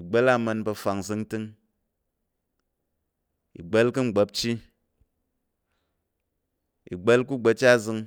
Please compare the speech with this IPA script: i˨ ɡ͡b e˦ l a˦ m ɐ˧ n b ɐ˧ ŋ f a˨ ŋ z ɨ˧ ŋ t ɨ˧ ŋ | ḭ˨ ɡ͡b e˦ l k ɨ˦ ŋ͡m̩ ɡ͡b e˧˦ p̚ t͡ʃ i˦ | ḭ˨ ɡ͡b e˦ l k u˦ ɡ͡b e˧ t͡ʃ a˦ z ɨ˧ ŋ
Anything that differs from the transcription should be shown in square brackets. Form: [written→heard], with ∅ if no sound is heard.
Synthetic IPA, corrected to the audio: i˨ ɡ͡b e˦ l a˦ m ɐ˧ n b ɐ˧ [ŋ→∅] f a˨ ŋ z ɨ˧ ŋ t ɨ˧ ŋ | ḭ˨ ɡ͡b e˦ l k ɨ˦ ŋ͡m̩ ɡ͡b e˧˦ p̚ t͡ʃ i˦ | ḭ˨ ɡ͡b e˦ l k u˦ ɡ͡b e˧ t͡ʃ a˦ z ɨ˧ ŋ